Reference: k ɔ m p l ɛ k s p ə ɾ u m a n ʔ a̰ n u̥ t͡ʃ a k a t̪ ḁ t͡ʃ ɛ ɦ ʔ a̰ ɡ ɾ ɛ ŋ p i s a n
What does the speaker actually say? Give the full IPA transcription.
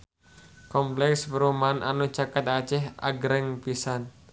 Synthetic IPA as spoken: k ɔ m p l ɛ k s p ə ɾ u m a n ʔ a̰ n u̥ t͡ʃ a k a t̪ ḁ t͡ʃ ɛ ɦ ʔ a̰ ɡ ɾ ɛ ŋ p i s a n